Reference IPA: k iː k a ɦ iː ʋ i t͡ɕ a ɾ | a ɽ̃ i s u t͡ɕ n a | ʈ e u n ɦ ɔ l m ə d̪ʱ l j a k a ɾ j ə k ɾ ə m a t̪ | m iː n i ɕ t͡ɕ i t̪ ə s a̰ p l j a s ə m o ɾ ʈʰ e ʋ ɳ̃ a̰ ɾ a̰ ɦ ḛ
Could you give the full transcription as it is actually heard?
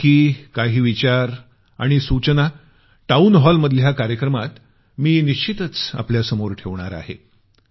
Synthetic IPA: k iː k a ɦ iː ʋ i t͡ɕ a ɾ | a ɽ̃ i s u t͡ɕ n a | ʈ a u n ɦ ɔ l m ə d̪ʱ l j a k a ɾ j ə k ɾ ə m a t̪ | m iː n i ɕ t͡ɕ i t̪ ə t͡s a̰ p l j a s ə m o ɾ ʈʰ e ʋ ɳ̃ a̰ ɾ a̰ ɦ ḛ

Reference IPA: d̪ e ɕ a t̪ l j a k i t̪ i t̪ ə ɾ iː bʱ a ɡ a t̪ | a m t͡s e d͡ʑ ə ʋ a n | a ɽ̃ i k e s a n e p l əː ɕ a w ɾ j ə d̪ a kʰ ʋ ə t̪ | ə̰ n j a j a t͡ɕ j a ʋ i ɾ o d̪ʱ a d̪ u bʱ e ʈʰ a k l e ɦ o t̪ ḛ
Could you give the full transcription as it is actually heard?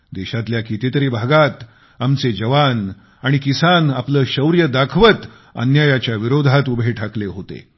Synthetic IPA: d̪ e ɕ a t̪ l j a k i t̪ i t̪ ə ɾ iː bʱ a ɡ a t̪ | a m t͡s e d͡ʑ ə ʋ a n | a ɽ̃ i k i s a n a p l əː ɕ ə w ɾ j ə d̪ a kʰ ʋ ə t̪ | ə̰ n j a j a t͡ɕ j a ʋ i ɾ o d̪ʱ a t̪ u bʱ e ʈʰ a k l e ɦ o t̪ ḛ

